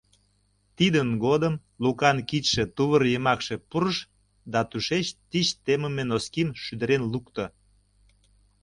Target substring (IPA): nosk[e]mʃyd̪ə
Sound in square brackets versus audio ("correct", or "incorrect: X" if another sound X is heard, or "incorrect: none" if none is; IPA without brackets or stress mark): incorrect: i